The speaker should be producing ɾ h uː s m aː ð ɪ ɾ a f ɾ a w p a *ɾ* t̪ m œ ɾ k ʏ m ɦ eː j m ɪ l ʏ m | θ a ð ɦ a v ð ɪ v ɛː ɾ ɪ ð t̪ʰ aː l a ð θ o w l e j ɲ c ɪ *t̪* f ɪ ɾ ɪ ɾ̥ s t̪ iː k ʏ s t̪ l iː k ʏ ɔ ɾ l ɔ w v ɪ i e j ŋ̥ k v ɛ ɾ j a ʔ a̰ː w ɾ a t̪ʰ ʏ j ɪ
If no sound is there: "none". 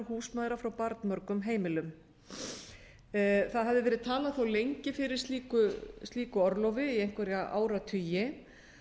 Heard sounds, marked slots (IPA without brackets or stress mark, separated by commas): ɾ, none